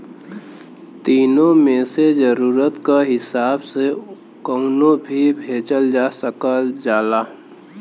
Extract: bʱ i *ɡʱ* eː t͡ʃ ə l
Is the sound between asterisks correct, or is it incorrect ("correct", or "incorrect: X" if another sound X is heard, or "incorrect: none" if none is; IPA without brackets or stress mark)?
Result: incorrect: bʱ